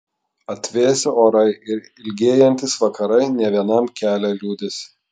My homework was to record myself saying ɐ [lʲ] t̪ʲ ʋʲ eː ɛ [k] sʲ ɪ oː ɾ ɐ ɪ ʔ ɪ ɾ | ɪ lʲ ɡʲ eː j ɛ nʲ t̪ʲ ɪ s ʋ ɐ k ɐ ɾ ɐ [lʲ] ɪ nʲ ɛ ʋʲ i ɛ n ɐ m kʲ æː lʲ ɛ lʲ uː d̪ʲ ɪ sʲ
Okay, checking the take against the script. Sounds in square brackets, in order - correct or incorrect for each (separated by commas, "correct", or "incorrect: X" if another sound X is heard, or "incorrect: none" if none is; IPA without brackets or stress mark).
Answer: incorrect: none, incorrect: none, incorrect: none